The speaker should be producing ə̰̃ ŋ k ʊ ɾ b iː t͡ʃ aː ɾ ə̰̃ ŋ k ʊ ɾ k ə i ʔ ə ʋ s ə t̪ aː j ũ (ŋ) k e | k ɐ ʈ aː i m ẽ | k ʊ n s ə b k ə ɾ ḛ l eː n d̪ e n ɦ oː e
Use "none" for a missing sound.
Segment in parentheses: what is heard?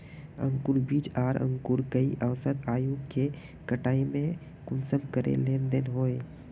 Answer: none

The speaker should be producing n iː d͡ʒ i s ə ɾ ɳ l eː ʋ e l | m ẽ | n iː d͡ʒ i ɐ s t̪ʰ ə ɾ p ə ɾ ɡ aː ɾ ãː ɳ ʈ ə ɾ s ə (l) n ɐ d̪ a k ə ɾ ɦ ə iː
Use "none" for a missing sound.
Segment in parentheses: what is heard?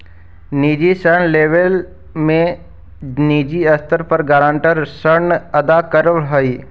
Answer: ɾ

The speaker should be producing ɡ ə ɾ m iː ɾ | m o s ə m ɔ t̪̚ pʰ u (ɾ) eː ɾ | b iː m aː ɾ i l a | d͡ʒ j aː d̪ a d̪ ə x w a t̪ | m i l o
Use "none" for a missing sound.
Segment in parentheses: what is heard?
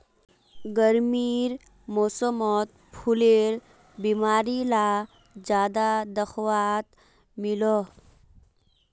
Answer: l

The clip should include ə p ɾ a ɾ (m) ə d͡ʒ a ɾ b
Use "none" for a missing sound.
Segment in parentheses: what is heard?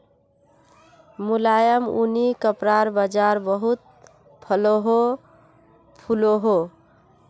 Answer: b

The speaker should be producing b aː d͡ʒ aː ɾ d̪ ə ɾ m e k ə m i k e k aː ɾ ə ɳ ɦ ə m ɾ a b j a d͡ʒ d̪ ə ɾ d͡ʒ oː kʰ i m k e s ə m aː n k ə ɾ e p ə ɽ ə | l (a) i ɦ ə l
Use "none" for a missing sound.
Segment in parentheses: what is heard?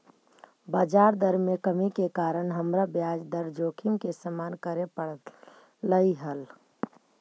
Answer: ə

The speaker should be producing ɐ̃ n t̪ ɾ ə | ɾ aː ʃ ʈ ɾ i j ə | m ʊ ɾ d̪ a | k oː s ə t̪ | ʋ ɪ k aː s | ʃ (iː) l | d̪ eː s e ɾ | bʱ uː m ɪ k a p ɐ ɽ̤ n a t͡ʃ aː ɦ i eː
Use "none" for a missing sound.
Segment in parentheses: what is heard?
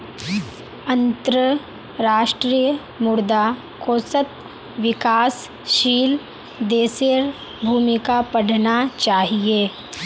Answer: iː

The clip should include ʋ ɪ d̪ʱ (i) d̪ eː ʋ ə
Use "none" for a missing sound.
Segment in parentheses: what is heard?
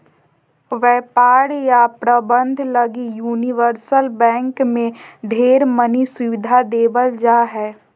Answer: a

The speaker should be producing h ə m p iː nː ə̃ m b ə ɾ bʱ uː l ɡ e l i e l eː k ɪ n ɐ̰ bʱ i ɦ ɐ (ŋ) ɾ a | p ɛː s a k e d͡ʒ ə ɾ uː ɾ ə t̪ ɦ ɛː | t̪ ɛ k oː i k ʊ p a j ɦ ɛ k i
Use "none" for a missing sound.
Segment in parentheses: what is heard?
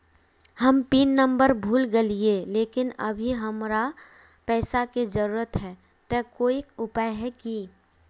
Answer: m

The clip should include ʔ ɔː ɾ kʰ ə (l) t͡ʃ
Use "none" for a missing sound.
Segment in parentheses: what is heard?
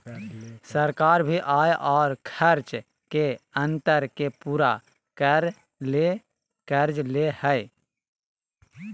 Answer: ɾ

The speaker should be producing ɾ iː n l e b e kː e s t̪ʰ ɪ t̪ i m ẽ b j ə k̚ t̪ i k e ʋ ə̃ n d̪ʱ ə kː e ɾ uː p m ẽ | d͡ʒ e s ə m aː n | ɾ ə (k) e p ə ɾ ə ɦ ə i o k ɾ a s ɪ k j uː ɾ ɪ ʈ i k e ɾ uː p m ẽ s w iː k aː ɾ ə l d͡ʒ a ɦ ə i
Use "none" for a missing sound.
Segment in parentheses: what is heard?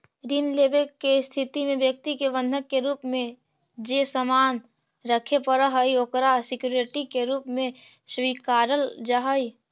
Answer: kʰ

